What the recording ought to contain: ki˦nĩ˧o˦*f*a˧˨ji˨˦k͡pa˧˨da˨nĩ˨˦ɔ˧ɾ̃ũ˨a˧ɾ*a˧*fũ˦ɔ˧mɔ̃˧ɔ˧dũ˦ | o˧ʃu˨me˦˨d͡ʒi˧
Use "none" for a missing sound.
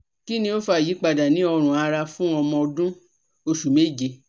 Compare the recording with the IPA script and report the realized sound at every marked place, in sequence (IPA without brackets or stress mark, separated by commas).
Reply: f, a˧